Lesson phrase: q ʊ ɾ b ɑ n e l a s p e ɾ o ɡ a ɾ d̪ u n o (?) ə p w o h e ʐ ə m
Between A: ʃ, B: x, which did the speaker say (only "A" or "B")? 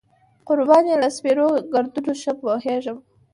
A